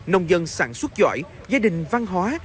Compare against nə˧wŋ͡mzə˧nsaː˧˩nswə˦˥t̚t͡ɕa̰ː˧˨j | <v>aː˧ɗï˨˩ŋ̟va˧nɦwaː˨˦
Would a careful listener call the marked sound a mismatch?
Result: yes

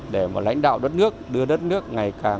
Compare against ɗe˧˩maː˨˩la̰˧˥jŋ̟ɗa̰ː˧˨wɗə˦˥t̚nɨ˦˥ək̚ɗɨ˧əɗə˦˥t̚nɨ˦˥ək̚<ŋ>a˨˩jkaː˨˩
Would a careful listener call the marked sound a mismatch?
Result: no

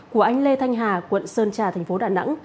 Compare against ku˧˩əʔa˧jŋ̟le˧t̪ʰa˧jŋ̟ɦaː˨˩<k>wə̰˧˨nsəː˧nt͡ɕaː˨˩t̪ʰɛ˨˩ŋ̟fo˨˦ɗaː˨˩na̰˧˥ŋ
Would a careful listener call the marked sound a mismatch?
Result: no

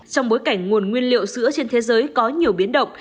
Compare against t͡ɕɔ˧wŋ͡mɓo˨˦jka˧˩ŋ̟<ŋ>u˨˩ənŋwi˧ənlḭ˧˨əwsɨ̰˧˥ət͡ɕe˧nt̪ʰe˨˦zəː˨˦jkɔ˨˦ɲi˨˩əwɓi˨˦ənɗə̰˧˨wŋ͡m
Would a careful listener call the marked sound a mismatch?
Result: no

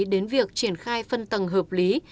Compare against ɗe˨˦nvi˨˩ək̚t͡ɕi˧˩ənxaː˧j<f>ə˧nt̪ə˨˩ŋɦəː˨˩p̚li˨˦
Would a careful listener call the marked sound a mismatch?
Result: no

